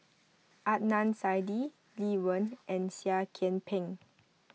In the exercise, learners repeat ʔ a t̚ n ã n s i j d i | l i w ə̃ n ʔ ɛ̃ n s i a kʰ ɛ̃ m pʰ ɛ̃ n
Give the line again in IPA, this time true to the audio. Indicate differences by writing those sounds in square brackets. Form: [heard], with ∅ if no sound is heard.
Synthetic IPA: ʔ a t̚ n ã n s [a] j d i | l i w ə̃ n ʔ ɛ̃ n s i a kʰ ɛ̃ [n] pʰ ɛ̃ [ŋ]